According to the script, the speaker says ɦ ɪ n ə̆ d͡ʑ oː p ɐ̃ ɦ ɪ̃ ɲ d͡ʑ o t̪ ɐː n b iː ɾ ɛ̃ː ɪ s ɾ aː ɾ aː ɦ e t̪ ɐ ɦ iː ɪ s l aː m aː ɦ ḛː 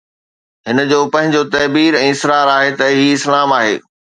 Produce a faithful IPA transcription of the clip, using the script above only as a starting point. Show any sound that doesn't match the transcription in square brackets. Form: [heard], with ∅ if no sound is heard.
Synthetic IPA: ɦ ɪ n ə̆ d͡ʑ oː p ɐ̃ ɦ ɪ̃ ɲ d͡ʑ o t̪ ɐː [∅] b iː ɾ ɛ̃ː ɪ s ɾ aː ɾ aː ɦ e t̪ ɐ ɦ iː ɪ s l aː m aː ɦ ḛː